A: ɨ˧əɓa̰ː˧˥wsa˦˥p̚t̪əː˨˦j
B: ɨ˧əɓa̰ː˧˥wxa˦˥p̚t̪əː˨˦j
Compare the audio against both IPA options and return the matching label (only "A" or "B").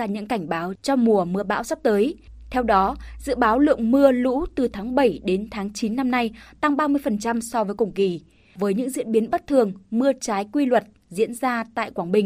A